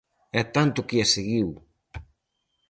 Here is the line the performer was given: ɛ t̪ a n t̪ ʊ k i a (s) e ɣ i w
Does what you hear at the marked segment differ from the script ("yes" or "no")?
no